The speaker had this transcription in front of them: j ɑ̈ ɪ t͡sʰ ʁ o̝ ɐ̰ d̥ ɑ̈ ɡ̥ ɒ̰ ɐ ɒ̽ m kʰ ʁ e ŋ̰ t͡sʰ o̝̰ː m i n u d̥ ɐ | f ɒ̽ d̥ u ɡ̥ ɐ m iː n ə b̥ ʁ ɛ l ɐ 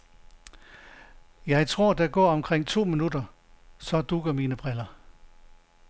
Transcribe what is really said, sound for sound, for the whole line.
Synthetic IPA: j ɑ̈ ɪ t͡sʰ ʁ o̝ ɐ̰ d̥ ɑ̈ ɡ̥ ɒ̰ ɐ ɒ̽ m kʰ ʁ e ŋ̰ t͡sʰ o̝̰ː m i n u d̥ ɐ | s ɒ̽ d̥ u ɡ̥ ɐ m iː n ə b̥ ʁ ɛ l ɐ